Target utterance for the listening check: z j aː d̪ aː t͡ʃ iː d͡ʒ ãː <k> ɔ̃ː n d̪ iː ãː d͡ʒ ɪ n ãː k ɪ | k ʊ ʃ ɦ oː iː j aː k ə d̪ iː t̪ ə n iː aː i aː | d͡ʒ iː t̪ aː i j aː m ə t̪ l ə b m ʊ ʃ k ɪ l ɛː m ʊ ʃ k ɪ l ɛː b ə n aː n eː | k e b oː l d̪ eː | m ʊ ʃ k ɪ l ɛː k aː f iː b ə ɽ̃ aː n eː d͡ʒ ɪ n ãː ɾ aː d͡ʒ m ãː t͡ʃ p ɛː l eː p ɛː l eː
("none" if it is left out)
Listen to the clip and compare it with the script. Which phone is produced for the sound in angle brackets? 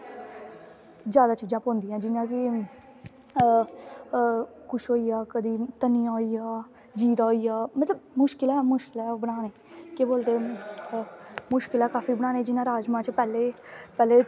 p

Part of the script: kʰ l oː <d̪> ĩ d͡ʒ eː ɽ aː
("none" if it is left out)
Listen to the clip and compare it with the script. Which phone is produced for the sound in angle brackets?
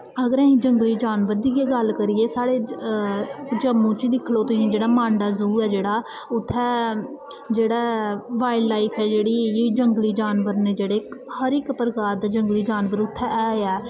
t̪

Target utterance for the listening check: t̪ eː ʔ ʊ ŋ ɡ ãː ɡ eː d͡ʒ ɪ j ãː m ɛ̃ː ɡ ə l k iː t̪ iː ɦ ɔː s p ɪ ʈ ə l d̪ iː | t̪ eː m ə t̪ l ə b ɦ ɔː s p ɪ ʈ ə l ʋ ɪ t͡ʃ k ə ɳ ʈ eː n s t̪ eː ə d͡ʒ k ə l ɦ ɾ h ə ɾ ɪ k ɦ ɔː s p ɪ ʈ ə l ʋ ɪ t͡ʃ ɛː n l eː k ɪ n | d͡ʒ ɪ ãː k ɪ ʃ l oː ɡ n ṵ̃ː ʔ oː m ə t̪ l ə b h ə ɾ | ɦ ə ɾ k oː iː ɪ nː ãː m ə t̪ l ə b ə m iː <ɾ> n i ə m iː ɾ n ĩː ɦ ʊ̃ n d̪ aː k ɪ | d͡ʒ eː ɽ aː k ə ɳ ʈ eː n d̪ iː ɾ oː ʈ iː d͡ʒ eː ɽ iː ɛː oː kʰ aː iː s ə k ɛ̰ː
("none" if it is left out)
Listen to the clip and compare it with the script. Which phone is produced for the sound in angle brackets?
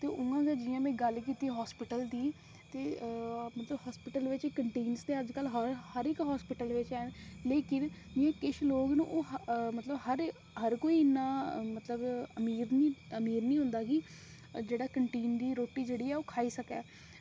ɾ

